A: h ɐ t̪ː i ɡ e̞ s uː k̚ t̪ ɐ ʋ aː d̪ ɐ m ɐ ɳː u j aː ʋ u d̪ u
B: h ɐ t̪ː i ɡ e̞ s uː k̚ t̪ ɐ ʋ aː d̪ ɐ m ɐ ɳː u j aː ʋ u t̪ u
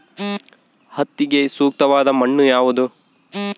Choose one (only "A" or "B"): A